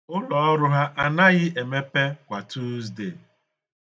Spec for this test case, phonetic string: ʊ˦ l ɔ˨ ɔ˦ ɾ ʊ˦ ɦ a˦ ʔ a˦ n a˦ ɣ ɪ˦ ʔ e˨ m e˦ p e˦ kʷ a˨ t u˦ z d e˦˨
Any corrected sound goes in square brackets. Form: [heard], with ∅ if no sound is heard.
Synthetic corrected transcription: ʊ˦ l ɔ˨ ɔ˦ ɾ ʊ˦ ɦ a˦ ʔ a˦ n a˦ ɣ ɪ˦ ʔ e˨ m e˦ p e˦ kʷ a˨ t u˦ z d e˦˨